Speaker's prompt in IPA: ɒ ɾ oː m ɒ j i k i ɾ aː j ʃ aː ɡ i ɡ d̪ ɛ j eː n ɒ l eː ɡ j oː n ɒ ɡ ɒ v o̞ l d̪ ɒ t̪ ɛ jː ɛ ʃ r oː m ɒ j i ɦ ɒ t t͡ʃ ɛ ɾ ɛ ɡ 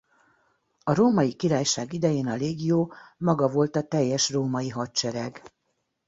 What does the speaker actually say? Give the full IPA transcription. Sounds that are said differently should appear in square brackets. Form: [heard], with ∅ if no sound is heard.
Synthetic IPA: ɒ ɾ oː m ɒ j i k i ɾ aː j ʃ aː ɡ i [∅] d̪ ɛ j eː n ɒ l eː ɡ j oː [m] ɒ ɡ ɒ v o̞ l [t̪] ɒ t̪ ɛ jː ɛ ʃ r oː m ɒ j i ɦ ɒ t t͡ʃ ɛ ɾ ɛ ɡ